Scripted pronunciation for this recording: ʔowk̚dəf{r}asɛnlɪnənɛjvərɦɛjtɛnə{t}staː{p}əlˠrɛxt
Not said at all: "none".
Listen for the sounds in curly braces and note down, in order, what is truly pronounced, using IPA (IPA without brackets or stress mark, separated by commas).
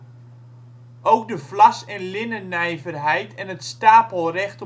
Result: l, t, p